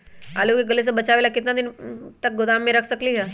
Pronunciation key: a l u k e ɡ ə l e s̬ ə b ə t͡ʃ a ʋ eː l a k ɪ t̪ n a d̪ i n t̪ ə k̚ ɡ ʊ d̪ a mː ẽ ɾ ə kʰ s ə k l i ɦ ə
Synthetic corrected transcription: a l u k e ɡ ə l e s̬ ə b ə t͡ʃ a ʋ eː l a k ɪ t̪ n a d̪ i n t̪ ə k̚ ɡ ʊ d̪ a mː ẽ ɾ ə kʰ s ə k l i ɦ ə